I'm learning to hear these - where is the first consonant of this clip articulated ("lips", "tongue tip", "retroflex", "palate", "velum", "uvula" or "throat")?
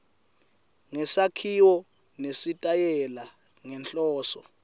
velum